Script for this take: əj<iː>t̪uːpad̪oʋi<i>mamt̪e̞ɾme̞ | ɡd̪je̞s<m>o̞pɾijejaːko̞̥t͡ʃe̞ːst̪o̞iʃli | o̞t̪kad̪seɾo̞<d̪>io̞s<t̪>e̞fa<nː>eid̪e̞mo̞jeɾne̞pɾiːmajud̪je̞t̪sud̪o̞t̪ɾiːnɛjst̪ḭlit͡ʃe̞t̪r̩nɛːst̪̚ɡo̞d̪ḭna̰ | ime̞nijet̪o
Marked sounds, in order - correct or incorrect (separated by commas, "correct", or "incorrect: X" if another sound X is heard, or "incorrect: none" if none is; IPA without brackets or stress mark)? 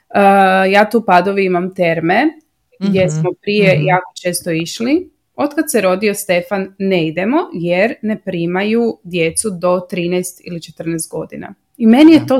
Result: incorrect: aː, correct, correct, correct, correct, correct